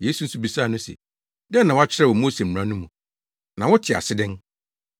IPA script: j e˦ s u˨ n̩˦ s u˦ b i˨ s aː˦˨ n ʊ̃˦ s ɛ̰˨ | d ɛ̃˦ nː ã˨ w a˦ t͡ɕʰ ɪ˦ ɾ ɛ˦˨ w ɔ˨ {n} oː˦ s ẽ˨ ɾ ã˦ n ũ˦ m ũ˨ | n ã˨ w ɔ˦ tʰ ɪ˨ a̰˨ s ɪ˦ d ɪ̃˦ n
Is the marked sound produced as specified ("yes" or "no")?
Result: no